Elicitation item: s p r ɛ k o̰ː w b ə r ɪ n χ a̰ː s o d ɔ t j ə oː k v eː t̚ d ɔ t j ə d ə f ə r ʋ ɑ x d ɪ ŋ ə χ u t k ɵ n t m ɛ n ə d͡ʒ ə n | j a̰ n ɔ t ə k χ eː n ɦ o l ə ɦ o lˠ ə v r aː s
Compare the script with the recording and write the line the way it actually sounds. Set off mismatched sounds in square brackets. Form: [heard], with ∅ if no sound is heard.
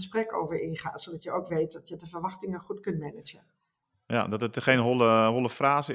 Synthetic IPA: s p r ɛ k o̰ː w [v] ə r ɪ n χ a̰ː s o d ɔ t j ə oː k [ʋ] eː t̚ d ɔ t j ə d ə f ə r ʋ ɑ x [t] ɪ ŋ ə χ u t k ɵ n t m ɛ n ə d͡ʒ ə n | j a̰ [d] ɔ t ə [t] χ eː n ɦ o l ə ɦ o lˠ ə [f] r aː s